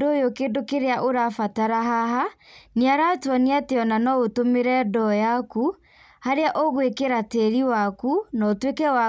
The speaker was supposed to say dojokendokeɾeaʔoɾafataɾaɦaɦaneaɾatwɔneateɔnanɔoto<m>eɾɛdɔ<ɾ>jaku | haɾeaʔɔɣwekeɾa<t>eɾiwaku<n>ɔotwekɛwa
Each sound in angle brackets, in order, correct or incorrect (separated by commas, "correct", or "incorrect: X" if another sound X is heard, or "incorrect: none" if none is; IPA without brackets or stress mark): correct, incorrect: none, correct, correct